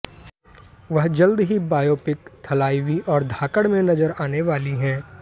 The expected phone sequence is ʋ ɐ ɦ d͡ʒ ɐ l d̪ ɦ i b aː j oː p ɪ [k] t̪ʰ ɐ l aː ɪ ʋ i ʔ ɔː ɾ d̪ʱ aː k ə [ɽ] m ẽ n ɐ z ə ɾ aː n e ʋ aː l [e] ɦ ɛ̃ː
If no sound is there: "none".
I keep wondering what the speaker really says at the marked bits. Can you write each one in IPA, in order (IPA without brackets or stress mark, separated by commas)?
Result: k, ɽ, i